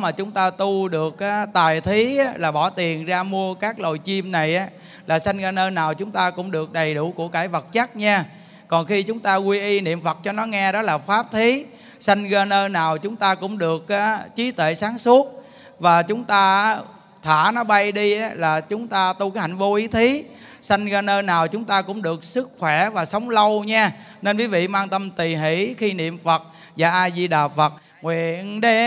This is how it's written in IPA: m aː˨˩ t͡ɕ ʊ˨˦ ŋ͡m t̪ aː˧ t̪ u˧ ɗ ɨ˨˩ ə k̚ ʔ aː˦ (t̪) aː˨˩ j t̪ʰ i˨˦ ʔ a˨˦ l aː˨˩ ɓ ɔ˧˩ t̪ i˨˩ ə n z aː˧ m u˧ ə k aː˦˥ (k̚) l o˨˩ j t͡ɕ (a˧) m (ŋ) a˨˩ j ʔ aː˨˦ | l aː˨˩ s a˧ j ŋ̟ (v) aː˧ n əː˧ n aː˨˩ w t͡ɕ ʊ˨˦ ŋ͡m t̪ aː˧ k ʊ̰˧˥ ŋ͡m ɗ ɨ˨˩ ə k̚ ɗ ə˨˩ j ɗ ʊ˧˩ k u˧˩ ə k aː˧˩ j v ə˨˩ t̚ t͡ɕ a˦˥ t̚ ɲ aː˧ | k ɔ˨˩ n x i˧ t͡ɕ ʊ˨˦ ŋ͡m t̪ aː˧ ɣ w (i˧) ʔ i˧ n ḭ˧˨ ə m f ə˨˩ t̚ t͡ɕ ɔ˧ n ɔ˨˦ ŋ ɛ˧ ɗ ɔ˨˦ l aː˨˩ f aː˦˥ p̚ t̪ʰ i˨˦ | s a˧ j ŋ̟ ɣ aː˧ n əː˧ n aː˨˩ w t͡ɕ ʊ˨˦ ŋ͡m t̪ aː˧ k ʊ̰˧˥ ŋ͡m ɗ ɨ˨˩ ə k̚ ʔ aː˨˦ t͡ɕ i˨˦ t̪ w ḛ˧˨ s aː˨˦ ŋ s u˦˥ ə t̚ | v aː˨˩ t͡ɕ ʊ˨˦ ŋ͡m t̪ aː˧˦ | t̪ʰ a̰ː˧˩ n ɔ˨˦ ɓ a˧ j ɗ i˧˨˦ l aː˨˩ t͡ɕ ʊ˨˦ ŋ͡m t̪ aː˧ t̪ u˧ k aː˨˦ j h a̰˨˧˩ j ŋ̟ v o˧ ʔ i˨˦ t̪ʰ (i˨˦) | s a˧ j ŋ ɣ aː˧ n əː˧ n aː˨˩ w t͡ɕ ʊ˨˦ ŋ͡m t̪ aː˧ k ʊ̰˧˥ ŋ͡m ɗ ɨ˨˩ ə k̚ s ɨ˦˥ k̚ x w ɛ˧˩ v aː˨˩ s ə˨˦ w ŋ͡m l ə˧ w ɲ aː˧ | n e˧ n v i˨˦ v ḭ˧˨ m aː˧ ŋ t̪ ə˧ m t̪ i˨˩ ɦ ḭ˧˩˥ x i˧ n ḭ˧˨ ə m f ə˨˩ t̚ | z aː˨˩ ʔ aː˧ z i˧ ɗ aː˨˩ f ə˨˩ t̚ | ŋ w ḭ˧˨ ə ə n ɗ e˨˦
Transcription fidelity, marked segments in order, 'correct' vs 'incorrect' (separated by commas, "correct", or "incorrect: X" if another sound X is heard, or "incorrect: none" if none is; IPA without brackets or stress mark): correct, correct, incorrect: i˧, incorrect: n, incorrect: ɣ, correct, correct